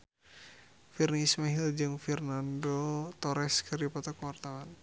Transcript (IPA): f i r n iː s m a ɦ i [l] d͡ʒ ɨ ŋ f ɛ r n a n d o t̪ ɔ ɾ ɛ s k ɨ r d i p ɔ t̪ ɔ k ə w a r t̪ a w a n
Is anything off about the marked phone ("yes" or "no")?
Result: no